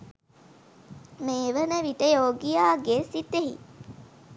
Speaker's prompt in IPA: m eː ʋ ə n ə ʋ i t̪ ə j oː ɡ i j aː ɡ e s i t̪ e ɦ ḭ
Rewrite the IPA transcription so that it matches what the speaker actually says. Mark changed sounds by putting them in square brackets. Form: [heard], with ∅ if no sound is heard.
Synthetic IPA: m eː ʋ ə n ə ʋ i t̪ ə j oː ɡ i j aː ɡ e s i t̪ e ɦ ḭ